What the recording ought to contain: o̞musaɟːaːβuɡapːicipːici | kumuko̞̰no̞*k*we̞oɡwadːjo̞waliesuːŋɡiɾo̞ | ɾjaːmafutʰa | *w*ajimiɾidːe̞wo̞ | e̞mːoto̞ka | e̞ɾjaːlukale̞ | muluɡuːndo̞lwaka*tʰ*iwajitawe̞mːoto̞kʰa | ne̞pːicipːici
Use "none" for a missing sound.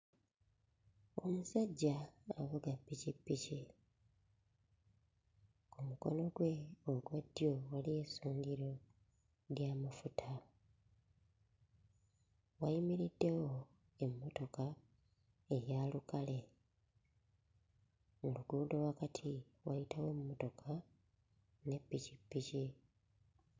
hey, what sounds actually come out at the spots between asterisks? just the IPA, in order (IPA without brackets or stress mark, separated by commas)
ɡ, w, tʰ